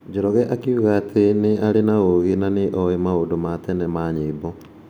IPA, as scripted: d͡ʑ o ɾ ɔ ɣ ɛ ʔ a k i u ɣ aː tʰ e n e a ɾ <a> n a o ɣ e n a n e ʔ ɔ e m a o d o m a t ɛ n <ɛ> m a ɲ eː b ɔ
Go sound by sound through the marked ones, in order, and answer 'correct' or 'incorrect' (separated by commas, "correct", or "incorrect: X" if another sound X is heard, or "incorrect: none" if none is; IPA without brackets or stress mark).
incorrect: e, correct